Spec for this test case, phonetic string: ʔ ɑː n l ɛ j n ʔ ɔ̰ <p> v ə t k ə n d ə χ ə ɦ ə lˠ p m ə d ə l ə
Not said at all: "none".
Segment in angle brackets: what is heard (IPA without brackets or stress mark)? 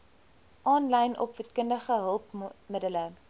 p